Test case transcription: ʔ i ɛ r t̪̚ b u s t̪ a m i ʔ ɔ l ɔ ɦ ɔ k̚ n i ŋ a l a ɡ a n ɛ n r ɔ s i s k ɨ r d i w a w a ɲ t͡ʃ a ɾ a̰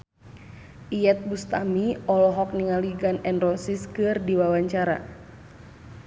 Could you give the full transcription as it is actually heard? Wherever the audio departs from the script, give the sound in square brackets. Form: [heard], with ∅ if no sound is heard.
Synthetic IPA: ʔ i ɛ [∅] t̪̚ b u s t̪ a m i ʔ ɔ l ɔ ɦ ɔ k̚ n i ŋ a l [i] ɡ a n ɛ n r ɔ s i s k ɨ r d i w a w a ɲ t͡ʃ a ɾ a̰